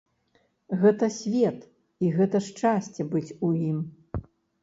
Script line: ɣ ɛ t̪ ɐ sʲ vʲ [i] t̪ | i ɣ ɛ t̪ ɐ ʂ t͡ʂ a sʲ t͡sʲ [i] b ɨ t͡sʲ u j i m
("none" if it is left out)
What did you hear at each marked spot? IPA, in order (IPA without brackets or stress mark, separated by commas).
ɛ, ɛ